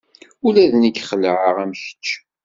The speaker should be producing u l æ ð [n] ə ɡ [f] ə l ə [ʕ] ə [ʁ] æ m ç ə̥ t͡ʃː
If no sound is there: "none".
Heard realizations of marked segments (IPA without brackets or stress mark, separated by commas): n, χ, ʕ, ʁ